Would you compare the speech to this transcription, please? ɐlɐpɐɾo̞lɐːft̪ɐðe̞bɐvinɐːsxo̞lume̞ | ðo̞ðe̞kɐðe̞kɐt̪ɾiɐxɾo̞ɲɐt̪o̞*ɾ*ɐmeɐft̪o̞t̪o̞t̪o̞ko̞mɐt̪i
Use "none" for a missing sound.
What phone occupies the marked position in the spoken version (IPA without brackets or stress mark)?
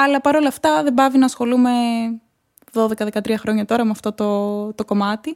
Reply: ɾ